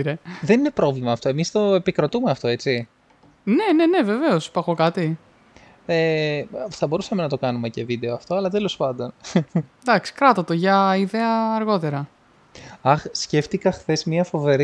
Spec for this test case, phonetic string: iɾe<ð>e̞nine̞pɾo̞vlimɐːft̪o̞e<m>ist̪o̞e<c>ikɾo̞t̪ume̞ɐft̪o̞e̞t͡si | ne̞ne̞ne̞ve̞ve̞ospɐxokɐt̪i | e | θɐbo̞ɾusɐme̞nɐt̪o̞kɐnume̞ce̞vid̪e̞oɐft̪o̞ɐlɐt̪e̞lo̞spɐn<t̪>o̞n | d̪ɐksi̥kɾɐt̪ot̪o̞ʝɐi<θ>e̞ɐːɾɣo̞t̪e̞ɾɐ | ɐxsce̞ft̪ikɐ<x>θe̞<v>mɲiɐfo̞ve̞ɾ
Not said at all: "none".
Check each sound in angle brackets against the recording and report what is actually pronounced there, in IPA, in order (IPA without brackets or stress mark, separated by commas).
ð, m, p, d̪, ð, x, z